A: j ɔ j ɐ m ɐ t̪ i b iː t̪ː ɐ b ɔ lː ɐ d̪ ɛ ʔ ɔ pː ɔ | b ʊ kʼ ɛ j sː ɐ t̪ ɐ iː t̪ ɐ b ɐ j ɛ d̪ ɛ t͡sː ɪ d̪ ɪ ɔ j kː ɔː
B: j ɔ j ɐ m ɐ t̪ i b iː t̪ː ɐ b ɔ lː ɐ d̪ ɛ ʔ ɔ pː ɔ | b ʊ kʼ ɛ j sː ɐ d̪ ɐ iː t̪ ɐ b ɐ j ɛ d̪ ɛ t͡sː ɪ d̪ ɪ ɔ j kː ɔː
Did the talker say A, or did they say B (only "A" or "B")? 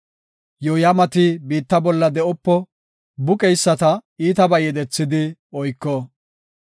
A